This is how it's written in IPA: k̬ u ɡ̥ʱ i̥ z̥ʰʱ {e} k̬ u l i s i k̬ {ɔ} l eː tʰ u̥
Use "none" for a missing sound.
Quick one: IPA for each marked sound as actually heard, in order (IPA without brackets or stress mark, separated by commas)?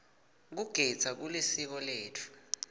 a, ɔ